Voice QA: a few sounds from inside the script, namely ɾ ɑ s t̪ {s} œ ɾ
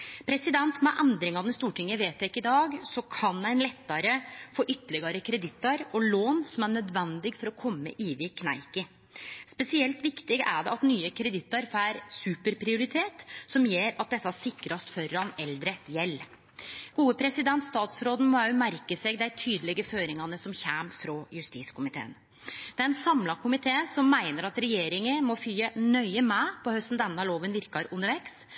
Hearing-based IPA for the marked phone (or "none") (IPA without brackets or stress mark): f